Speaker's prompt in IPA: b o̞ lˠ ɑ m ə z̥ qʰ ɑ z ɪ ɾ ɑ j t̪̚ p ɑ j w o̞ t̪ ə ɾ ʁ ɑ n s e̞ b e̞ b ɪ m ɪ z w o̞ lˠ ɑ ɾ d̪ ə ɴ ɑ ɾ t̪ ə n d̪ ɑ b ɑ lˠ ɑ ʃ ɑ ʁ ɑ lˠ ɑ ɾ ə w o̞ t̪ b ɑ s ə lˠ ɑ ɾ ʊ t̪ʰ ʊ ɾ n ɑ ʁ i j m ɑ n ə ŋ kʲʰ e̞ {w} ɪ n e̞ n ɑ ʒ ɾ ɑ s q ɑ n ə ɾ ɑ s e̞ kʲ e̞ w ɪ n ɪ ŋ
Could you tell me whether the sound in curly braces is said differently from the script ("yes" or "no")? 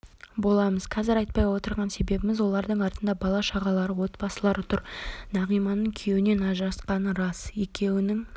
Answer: no